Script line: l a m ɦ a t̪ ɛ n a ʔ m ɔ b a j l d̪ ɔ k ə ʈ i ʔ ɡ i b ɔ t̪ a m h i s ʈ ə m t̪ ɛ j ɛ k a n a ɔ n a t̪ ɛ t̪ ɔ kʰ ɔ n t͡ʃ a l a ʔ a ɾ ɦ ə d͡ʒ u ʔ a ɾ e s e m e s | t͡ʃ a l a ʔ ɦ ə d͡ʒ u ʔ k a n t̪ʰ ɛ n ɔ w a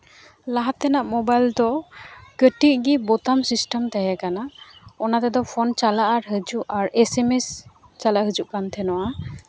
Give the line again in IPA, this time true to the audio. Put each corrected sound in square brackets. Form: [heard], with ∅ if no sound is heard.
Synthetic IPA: l a [∅] ɦ a t̪ ɛ n a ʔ m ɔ b a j l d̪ ɔ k ə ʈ i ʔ ɡ i b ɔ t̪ a m [s] i s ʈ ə m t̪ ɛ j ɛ k a n a ɔ n a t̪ ɛ [d̪] ɔ [pʰ] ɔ n t͡ʃ a l a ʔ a ɾ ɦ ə d͡ʒ u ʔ a ɾ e s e m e s | t͡ʃ a l a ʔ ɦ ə d͡ʒ u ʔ k a n t̪ʰ ɛ n ɔ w a